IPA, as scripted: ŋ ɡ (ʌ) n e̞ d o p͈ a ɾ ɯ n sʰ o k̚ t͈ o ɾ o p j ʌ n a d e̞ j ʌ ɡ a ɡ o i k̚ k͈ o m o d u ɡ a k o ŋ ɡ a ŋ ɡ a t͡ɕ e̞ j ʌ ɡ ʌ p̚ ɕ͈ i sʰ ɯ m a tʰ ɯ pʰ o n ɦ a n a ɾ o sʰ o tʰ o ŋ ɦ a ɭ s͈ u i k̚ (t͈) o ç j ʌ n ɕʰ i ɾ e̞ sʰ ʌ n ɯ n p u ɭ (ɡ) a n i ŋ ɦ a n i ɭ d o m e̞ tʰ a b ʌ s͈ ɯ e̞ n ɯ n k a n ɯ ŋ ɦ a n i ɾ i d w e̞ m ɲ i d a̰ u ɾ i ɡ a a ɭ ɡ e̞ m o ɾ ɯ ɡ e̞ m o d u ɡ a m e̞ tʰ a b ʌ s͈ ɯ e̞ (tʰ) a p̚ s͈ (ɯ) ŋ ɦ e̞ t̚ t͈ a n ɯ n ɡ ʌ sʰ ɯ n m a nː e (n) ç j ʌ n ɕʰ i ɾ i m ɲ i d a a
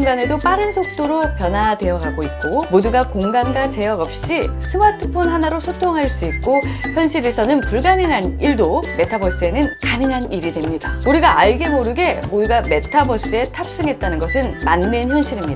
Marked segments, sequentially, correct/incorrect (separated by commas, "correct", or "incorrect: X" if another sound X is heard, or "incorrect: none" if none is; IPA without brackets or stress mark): incorrect: a, incorrect: k͈, correct, correct, correct, correct